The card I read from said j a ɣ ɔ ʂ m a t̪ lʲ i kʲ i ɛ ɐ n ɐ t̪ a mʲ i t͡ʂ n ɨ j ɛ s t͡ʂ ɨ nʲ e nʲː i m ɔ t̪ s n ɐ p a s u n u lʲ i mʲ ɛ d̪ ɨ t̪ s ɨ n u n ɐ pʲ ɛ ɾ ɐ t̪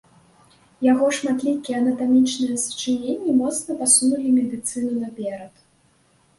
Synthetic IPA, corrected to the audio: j a ɣ ɔ ʂ m a t̪ lʲ i kʲ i ɛ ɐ n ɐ t̪ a mʲ i t͡ʂ n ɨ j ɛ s t͡ʂ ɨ nʲ e nʲː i m ɔ t̪ s n ɐ p a s u n u lʲ i mʲ ɛ d̪ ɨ t̪ s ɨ n u n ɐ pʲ ɛ ɾ ɐ t̪